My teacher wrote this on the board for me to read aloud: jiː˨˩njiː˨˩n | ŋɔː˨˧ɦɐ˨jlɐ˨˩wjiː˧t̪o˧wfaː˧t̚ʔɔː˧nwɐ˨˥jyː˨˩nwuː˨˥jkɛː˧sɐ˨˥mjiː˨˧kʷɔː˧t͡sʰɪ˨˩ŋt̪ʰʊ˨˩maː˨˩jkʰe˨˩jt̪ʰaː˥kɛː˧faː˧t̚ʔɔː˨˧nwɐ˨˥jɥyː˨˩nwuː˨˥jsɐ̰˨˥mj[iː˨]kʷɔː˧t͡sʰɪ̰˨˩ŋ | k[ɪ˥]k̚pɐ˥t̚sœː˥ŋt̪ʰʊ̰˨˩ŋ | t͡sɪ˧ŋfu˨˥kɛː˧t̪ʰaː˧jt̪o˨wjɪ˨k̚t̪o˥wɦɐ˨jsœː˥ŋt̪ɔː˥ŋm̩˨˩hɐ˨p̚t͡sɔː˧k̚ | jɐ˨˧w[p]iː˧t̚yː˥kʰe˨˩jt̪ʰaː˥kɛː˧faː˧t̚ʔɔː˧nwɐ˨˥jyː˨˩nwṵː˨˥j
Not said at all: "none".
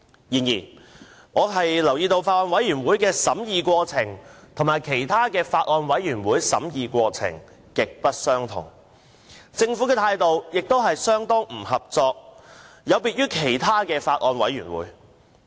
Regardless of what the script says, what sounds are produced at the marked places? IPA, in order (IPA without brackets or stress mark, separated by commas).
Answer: iː˨, ɪ˨, p